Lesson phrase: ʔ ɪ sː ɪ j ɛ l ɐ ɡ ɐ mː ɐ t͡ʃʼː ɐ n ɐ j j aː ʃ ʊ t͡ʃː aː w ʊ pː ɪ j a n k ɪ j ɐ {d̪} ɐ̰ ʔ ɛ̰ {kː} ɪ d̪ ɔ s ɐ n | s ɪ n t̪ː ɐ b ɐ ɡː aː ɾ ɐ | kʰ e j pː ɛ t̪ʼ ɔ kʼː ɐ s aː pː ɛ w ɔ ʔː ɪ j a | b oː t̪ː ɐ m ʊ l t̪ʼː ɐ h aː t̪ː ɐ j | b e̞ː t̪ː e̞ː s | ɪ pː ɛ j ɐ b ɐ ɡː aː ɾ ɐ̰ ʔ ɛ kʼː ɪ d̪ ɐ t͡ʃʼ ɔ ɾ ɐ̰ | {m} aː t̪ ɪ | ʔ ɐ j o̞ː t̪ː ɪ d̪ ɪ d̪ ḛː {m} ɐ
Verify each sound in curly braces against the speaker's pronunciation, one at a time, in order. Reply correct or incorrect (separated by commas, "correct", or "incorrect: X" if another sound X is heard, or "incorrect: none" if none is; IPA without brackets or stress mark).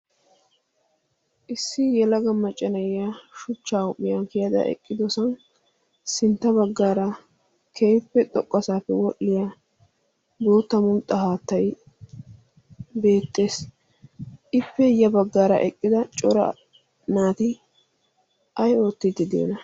correct, incorrect: kʼː, incorrect: n, incorrect: n